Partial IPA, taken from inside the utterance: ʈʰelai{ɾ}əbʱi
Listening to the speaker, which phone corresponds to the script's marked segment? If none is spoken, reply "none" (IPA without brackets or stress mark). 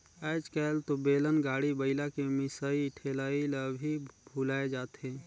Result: l